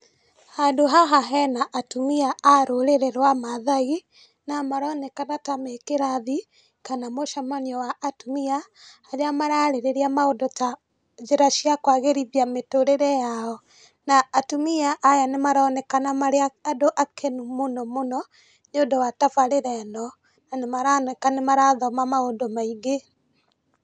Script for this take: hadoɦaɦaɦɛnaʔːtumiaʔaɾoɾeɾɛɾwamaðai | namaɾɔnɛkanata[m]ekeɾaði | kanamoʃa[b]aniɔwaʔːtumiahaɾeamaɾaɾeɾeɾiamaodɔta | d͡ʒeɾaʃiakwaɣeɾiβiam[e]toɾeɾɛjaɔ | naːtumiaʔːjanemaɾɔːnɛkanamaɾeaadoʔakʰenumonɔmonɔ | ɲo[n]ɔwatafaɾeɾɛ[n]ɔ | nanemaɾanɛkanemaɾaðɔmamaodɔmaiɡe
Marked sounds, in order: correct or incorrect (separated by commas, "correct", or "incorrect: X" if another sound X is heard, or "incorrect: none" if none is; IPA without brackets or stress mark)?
correct, incorrect: m, correct, incorrect: d, correct